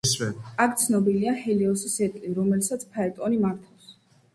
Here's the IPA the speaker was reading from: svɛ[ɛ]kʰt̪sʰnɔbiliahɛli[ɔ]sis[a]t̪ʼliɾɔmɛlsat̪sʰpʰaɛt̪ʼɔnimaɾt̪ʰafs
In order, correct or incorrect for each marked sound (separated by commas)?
incorrect, correct, incorrect